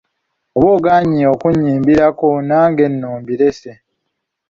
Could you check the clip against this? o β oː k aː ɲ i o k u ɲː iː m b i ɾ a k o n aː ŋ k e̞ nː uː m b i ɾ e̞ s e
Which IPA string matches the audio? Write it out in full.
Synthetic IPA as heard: o β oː ɡ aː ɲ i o k u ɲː iː m b i ɾ a k o n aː ŋ ɡ e̞ nː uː m b i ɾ e̞ s e